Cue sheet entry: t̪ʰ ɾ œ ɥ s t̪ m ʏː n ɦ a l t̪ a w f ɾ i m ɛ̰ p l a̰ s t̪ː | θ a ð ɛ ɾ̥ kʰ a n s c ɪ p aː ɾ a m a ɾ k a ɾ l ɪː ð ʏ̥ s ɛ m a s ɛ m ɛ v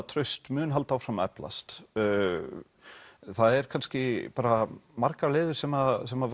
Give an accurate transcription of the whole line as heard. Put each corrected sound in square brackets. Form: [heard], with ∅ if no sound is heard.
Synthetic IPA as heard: t̪ʰ ɾ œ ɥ s t̪ m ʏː n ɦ a l t̪ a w f ɾ [a] m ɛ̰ p l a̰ s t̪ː | θ a ð ɛ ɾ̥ kʰ a n s c ɪ p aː ɾ a m a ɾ k a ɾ l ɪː ð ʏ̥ s ɛ m a s ɛ m [a] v

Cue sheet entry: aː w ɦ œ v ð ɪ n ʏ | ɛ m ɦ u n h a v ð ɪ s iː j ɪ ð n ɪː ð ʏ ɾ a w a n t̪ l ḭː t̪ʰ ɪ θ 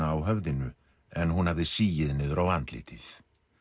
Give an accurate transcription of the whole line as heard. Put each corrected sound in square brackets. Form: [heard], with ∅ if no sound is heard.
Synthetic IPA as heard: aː w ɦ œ v ð ɪ n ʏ | ɛ [n] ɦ u n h a v ð ɪ s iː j ɪ ð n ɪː ð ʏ ɾ a w a n t̪ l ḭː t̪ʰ ɪ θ

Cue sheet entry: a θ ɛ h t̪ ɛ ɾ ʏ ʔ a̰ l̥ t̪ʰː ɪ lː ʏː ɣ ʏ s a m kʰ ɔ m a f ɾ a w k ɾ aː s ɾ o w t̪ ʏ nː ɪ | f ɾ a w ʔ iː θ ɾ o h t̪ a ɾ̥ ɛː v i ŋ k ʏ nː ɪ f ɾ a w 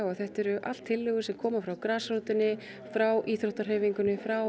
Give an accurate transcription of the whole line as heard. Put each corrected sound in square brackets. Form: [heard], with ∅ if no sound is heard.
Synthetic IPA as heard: a θ ɛ h t̪ ɛ ɾ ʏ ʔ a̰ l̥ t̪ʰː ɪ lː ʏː ɣ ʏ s [ɛ] m kʰ [ɔː] m a f ɾ a w k ɾ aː s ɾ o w t̪ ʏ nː ɪ | f ɾ a w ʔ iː θ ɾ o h t̪ a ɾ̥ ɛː v i ŋ k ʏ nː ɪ f ɾ a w

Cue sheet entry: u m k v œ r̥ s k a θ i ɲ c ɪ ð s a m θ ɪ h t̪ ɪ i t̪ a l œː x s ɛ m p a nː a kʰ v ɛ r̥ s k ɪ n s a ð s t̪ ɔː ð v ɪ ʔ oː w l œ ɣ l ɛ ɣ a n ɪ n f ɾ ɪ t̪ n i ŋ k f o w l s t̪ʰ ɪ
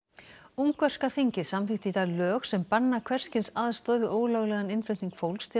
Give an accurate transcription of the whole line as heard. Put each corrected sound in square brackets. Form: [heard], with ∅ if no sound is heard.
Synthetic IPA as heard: u m k v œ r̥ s k a θ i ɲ c ɪ ð s a m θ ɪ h t̪ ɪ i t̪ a l œː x s ɛ m p a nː a kʰ v ɛ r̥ s [c] ɪ n s a ð s t̪ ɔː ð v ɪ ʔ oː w l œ ɣ l ɛ ɣ a n ɪ n f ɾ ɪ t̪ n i ŋ k f o w l s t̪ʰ ɪ

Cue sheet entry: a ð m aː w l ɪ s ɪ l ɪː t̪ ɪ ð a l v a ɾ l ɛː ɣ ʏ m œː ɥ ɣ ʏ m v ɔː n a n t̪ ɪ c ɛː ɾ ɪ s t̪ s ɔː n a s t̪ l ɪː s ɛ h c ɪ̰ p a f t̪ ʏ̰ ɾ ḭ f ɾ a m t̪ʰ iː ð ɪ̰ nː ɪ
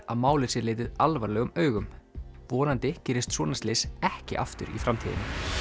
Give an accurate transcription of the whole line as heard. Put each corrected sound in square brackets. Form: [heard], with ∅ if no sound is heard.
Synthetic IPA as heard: a ð m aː w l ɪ s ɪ l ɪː t̪ ɪ ð a l v a ɾ l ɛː ɣ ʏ m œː ɥ ɣ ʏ m v ɔː n a n t̪ ɪ c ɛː ɾ ɪ s t̪ s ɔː n a s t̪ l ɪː s ɛ h c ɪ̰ [ʔ] a f t̪ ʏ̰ ɾ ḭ f ɾ a m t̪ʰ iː ð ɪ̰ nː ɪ

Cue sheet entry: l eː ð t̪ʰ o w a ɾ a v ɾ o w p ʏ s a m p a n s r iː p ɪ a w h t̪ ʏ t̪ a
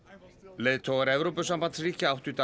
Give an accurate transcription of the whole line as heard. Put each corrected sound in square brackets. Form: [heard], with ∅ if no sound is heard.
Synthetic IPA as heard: l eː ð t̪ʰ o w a ɾ [ɛ] v ɾ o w p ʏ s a m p a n s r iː [c] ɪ a w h t̪ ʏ t̪ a

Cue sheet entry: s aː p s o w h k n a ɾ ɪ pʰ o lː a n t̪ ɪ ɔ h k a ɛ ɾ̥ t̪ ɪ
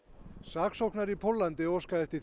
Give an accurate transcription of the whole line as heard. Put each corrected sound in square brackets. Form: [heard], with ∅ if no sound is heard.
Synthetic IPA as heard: s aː [k] s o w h k n a ɾ [i] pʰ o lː a n t̪ ɪ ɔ [s] k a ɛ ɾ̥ t̪ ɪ

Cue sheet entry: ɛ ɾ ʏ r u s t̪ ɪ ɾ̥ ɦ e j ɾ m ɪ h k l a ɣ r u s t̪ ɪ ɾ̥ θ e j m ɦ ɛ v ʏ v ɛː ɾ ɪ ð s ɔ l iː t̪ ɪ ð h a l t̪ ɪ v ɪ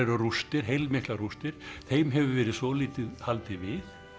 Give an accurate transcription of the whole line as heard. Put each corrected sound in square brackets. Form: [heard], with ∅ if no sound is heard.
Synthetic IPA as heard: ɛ ɾ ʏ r u s t̪ ɪ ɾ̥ ɦ e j [l] m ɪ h k l a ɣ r u s t̪ ɪ ɾ̥ θ e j m ɦ ɛ v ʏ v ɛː ɾ ɪ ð s ɔ l iː t̪ ɪ ð h a l t̪ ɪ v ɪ

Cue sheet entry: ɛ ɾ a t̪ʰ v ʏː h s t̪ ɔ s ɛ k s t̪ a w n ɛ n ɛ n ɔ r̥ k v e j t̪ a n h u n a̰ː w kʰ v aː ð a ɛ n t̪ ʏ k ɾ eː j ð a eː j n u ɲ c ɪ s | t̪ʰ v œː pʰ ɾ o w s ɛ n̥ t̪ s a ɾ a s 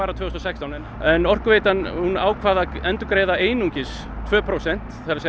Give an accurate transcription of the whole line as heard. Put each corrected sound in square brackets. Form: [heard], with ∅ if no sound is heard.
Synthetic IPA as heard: [a] ɾ a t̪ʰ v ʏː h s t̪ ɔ s ɛ k s t̪ a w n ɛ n ɛ n ɔ r̥ k v e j t̪ a n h u n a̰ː w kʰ v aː ð a ɛ n t̪ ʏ k ɾ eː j ð a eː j n u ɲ c ɪ s | t̪ʰ v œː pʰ ɾ o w s ɛ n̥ t̪ [θ] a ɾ a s

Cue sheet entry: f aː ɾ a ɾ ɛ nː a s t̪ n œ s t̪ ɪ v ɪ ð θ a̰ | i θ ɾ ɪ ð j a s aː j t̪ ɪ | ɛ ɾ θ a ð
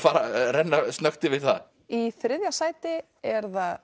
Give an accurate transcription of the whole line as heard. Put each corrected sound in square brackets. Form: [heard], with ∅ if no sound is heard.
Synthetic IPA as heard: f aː ɾ a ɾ ɛ nː a s t̪ n œ [x] t̪ ɪ v ɪ ð θ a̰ | i θ ɾ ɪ ð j a s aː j t̪ ɪ | ɛ ɾ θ a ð

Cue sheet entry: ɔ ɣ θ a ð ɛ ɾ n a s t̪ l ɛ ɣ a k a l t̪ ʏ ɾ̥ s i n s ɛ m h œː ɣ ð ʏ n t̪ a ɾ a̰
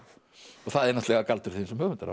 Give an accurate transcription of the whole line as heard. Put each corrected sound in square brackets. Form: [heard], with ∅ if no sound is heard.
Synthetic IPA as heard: ɔ ɣ θ a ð ɛ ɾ n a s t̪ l ɛ ɣ a k a l t̪ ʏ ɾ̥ [θ] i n s ɛ m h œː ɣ [v] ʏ n t̪ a ɾ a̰

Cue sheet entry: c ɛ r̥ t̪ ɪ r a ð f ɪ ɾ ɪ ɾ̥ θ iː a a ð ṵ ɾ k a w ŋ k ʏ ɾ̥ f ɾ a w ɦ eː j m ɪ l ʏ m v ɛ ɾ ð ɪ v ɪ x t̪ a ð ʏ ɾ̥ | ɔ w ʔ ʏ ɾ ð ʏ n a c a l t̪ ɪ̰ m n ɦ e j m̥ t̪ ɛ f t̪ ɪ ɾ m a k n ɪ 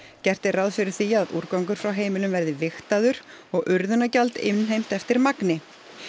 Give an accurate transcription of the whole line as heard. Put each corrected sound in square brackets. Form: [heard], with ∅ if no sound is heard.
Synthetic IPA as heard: c ɛ r̥ t̪ ɪ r a ð f ɪ ɾ ɪ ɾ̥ θ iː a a ð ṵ ɾ k a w ŋ k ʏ ɾ̥ f ɾ a w ɦ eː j m ɪ l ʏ m v ɛ ɾ ð ɪ v ɪ x t̪ a ð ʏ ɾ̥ | ɔ [ɣ] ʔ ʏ ɾ ð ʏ n a c a l t̪ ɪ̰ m n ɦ e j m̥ t̪ ɛ f t̪ ɪ ɾ m a k n ɪ

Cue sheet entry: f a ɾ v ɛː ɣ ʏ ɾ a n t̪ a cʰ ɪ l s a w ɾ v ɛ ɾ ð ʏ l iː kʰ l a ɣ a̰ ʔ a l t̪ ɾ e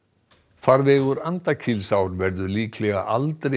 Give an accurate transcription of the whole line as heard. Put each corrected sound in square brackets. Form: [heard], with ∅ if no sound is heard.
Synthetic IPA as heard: f a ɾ v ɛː ɣ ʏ ɾ a n t̪ a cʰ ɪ l s a w ɾ v ɛ ɾ ð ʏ l iː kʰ l [ɛ] ɣ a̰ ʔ a l t̪ ɾ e

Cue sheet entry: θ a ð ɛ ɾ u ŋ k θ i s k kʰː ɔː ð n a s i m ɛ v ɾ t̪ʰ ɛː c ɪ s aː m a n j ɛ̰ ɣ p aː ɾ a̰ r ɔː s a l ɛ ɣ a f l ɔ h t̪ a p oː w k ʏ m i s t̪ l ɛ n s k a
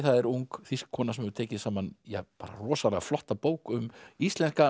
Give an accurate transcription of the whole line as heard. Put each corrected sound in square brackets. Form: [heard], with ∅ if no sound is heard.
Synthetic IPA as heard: θ a ð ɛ ɾ u ŋ k θ i s k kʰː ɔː [∅] n a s [ɛ] m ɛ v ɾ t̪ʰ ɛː c ɪ s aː m a n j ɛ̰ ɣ p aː ɾ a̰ r ɔː s a l ɛ ɣ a f l ɔ h t̪ a p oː w k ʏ m i s t̪ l ɛ n s k a

